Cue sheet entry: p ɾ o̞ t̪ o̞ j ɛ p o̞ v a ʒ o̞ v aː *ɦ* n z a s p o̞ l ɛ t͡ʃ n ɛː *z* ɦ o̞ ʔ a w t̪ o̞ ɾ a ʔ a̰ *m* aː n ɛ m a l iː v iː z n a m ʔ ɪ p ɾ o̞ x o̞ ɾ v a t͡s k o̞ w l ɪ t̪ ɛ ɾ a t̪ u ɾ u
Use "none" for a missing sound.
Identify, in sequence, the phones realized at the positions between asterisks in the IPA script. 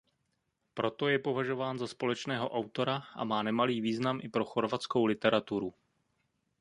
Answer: none, none, m

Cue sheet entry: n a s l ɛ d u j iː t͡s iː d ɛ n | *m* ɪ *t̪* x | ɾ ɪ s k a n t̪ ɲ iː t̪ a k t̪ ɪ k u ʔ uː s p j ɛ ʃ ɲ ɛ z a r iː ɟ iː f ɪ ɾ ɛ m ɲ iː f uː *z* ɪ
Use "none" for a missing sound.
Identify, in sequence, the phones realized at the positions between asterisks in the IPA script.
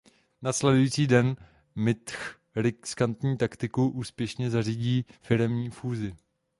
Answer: m, t̪, z

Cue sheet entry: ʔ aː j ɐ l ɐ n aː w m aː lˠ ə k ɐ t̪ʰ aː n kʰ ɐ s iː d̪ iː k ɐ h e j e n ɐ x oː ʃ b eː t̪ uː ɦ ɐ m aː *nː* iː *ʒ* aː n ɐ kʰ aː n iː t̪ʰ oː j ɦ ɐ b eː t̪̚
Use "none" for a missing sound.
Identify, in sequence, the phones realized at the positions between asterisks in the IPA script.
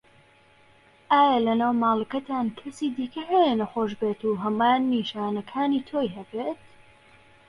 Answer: nː, ʃ

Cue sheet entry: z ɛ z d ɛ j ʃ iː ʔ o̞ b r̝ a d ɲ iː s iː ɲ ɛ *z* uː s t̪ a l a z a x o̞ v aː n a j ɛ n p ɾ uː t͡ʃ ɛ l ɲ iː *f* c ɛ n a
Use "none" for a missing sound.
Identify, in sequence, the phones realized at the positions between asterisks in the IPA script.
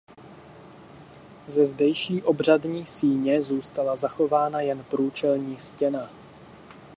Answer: z, s

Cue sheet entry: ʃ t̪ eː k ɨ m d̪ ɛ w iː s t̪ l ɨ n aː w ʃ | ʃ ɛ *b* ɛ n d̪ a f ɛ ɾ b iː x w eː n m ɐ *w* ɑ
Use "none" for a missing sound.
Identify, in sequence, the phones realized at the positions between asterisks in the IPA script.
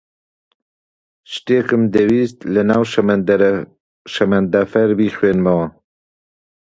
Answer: m, w

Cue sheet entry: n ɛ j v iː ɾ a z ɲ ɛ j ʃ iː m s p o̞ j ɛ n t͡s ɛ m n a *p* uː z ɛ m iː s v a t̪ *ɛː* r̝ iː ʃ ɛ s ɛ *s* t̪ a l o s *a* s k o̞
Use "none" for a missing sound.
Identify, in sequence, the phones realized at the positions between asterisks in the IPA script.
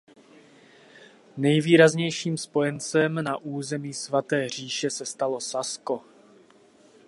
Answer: ʔ, ɛː, s, a

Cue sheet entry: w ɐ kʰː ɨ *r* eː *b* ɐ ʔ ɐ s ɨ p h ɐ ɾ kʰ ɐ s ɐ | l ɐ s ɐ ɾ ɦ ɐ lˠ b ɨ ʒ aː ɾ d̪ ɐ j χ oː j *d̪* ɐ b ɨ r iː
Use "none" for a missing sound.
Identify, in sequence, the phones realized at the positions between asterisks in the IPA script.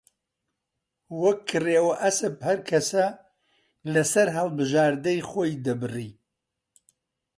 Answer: r, w, d̪

